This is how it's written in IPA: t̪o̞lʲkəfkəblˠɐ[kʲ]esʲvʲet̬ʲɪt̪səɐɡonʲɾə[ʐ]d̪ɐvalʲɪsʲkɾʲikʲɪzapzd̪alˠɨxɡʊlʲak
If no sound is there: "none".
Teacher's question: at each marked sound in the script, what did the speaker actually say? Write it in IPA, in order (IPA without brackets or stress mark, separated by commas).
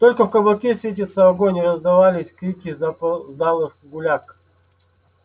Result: kʲ, z